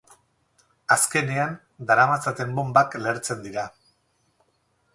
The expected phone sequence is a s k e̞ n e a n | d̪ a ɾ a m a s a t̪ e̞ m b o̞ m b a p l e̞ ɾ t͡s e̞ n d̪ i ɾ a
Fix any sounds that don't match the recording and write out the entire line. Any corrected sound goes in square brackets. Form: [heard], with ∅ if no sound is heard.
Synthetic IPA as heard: a s k e̞ n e a n | d̪ a ɾ a m a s a t̪ e̞ m b o̞ m b a [k] l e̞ ɾ t͡s e̞ n d̪ i ɾ a